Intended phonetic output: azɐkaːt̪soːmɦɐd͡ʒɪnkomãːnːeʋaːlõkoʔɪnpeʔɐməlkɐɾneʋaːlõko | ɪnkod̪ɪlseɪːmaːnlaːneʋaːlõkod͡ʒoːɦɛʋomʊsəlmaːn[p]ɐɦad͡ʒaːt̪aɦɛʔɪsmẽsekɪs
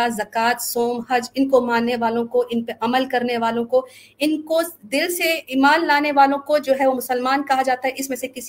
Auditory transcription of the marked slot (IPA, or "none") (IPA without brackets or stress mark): k